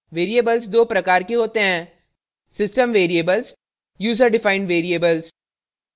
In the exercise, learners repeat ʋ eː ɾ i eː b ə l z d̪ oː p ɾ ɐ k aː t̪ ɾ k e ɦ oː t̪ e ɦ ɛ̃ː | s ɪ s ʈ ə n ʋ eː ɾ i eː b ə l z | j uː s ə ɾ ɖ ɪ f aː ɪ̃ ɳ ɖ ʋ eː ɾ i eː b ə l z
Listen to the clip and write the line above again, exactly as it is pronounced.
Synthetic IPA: ʋ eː ɾ i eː b ə l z d̪ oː p ɾ ɐ k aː ɾ k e ɦ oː t̪ e ɦ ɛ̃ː | s ɪ s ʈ ə m ʋ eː ɾ i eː b ə l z | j uː z ə ɾ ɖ ɪ f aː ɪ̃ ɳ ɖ ʋ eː ɾ i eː b ə l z